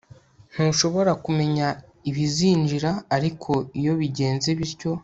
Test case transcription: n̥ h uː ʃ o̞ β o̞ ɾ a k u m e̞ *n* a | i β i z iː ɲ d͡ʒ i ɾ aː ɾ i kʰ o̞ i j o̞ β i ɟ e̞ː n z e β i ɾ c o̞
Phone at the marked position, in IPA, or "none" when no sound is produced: ɲ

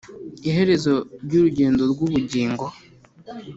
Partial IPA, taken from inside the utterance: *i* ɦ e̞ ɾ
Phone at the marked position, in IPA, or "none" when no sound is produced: i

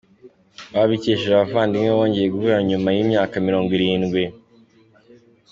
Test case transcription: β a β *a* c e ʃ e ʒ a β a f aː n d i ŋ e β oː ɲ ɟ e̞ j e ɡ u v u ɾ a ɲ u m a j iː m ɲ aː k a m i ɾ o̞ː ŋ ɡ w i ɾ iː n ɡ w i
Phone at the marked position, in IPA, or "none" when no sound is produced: i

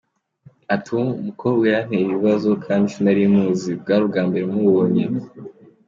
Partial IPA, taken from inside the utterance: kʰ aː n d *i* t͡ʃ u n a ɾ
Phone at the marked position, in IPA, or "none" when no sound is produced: i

